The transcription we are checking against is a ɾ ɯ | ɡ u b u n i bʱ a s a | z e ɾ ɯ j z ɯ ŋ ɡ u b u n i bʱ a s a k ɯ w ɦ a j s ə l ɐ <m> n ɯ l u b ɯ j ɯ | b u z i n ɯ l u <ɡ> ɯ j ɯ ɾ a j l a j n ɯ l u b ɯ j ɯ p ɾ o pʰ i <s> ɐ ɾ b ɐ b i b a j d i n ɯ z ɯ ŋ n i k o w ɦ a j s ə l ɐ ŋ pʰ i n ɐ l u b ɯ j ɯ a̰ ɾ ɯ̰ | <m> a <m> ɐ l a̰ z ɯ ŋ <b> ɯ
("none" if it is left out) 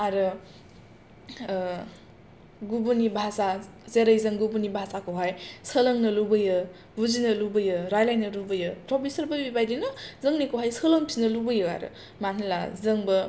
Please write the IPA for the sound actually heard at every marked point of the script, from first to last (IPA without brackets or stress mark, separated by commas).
ŋ, b, s, m, n, b